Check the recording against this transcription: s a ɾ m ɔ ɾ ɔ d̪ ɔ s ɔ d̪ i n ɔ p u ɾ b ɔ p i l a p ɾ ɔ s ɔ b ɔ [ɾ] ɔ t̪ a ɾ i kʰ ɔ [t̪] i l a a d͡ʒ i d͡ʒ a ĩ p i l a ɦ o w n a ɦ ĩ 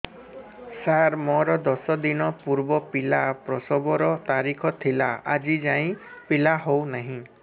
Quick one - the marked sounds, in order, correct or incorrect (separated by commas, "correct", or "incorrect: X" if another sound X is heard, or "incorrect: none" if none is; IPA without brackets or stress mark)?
correct, incorrect: t̪ʰ